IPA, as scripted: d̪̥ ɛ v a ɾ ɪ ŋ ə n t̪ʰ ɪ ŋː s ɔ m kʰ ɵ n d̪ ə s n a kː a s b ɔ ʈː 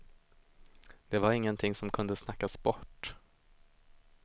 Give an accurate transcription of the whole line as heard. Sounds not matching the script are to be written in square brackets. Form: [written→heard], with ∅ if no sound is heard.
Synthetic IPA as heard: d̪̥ ɛ v a ɾ ɪ [ŋ→ŋː] ə n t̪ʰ ɪ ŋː s ɔ m kʰ ɵ n d̪ ə s n a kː a s b ɔ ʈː